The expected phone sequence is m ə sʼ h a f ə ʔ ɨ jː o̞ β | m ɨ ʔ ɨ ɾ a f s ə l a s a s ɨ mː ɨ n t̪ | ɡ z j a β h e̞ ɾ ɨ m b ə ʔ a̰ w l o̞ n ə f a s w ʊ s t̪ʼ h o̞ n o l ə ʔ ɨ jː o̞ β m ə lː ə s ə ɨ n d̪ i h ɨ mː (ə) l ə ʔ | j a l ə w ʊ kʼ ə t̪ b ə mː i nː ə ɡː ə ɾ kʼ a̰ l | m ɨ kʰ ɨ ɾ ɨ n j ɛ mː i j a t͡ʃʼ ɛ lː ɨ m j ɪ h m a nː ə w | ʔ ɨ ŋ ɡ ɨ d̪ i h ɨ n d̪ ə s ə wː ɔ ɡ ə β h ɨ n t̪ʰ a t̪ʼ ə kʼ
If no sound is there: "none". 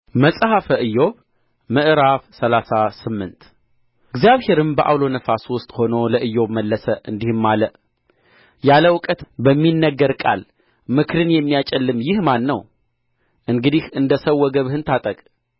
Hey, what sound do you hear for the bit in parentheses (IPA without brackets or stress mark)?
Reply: a